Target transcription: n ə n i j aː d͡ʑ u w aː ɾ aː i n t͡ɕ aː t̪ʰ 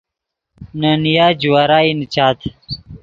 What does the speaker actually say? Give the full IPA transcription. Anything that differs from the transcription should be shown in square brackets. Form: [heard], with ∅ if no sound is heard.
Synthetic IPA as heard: n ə n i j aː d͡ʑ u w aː ɾ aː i n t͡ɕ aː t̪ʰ